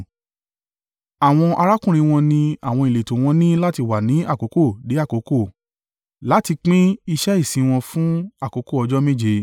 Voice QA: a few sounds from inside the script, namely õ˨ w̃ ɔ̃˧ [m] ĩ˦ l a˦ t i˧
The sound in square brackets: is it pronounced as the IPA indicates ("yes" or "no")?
no